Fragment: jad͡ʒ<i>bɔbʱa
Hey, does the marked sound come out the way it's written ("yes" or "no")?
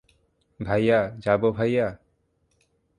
no